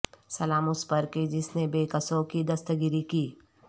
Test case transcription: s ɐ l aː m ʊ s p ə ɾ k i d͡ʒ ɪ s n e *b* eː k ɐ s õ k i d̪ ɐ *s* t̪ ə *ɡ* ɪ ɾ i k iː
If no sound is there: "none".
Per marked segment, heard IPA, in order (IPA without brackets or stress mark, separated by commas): b, s, ɡ